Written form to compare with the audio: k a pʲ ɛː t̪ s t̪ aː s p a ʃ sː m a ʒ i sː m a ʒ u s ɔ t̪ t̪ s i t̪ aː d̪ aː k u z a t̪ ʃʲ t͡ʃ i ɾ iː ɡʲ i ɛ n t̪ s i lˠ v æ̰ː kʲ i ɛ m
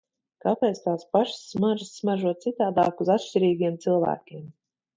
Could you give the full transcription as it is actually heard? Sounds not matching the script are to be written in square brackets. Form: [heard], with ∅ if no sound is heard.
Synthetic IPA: k a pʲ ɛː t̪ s t̪ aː s p a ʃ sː m a ʒ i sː m a ʒ u [∅] ɔ t̪ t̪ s i t̪ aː d̪ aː k u z a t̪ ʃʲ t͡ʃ i ɾ iː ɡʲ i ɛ [m] t̪ s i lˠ v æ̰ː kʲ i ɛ m

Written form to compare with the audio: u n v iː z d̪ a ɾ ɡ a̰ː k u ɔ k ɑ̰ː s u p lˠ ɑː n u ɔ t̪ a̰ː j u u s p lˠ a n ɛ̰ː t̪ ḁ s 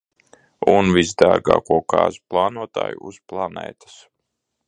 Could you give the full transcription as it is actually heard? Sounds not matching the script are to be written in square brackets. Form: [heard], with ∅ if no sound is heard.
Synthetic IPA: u n v [i] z d̪ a ɾ ɡ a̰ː k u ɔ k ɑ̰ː [z] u p lˠ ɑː n u ɔ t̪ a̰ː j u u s p lˠ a n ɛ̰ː t̪ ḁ s

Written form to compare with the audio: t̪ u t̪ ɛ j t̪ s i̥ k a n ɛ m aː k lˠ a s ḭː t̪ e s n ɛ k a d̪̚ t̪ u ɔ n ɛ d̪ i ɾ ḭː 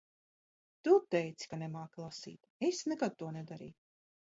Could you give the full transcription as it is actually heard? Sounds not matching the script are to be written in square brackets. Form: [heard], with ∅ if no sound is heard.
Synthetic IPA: t̪ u t̪ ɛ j t̪ s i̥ k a n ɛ m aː k lˠ a s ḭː t̪ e s n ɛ k a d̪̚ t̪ u ɔ n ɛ d̪ [a] ɾ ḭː

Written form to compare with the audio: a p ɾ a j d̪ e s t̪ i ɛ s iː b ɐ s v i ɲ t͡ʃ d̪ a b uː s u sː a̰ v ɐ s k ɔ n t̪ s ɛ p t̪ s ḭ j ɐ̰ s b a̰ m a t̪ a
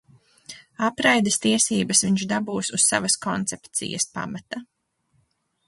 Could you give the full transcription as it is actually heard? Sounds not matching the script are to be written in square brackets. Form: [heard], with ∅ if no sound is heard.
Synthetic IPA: a p ɾ a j d̪ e s t̪ i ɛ s iː b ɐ s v i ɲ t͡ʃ d̪ a b uː s u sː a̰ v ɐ s k ɔ n t̪ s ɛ p t̪ s ḭ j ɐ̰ s [p] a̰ m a t̪ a

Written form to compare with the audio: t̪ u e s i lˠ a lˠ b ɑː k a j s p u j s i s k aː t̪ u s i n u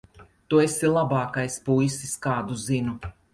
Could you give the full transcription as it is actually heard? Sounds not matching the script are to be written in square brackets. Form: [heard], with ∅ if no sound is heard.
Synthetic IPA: t̪ u e s i lˠ a [∅] b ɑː k a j s p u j s i s k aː [d̪] u [z] i n u

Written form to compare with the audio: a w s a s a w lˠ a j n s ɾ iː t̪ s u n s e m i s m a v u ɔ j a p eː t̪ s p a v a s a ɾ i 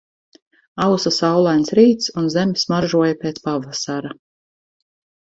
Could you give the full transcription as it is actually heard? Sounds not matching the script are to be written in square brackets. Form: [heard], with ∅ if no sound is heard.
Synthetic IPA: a w s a s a w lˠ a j n s ɾ iː t̪ s u n [z] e m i s m a [ʒ] u ɔ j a p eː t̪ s p a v a s a ɾ [a]

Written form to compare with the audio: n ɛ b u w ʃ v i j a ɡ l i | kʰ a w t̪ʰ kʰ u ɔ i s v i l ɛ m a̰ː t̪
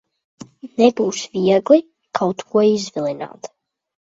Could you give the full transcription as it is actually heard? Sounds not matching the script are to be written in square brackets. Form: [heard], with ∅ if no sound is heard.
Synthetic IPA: n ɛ b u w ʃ v i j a ɡ l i | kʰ a w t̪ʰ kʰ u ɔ i [z] v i l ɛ [n] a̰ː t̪

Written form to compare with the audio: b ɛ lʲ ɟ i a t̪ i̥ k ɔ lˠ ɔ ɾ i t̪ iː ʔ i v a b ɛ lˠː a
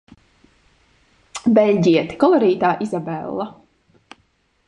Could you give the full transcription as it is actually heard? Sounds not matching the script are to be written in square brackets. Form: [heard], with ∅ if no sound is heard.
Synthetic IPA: b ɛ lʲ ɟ i [ɛ] t̪ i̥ k ɔ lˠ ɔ ɾ [iː] t̪ [aː] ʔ i [z] a b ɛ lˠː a

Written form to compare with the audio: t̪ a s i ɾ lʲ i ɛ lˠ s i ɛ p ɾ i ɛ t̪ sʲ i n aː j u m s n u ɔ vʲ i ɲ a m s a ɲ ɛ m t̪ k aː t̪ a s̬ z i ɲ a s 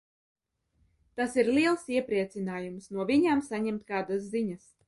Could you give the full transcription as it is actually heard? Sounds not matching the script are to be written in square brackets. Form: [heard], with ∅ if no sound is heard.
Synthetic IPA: t̪ a s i ɾ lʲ i ɛ lˠ s i ɛ p ɾ i ɛ t̪ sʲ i n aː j u m s n u ɔ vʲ i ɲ a m s a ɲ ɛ m t̪ k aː [d̪] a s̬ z i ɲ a s

